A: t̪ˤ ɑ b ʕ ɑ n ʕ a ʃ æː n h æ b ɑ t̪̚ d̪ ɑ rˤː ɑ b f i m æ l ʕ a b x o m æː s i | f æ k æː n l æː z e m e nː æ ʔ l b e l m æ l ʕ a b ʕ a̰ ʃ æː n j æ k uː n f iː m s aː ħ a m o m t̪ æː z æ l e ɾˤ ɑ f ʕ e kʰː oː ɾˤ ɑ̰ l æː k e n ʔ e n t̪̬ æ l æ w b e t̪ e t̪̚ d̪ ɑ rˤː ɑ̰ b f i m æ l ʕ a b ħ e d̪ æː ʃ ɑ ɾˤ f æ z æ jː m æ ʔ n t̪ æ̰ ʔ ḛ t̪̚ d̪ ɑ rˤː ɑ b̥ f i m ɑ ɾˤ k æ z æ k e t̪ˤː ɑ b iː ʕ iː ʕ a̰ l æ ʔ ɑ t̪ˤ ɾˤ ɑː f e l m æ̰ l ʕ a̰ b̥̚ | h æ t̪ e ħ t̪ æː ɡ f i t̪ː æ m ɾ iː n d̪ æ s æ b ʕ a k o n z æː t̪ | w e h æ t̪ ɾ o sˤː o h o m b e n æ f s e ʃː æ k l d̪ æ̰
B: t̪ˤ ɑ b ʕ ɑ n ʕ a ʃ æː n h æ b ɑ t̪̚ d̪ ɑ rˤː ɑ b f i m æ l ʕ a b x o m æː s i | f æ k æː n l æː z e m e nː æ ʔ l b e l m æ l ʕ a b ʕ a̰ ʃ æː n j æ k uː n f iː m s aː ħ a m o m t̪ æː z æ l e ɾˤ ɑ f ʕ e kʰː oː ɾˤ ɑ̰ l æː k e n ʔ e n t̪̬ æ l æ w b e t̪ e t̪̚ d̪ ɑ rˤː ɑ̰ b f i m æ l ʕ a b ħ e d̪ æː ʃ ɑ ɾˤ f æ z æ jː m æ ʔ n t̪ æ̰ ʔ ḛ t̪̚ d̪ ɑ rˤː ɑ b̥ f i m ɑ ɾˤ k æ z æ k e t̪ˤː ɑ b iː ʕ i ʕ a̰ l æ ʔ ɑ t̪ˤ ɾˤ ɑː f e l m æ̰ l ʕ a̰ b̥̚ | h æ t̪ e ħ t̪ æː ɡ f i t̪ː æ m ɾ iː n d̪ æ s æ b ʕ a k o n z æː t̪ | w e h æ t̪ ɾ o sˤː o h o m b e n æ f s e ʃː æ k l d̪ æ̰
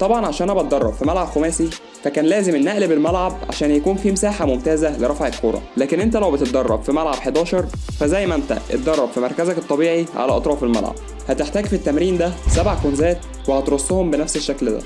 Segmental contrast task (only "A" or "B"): B